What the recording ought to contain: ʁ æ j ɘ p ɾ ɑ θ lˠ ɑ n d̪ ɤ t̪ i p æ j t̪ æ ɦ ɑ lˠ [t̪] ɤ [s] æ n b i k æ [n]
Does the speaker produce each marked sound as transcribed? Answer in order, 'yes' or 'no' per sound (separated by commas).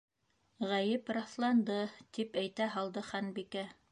no, no, no